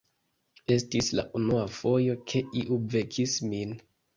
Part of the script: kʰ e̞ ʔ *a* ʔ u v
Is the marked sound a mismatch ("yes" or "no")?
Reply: yes